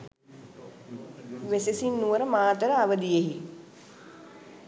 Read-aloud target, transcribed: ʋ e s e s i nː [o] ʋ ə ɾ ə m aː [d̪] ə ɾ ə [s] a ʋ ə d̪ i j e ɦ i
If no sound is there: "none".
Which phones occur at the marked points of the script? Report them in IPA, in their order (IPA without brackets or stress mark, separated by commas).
u, t̪, none